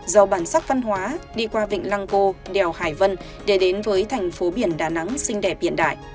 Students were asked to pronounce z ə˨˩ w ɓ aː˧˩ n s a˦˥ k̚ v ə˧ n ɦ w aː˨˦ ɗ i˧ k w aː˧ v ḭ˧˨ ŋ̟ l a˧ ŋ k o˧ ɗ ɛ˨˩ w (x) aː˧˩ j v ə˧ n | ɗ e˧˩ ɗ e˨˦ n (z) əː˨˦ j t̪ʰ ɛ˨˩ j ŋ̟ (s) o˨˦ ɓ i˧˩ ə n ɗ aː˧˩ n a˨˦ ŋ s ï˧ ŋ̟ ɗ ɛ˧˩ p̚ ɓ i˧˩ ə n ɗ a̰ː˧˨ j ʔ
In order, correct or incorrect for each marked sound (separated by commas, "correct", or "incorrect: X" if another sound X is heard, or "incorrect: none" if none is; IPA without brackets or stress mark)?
incorrect: h, incorrect: v, incorrect: f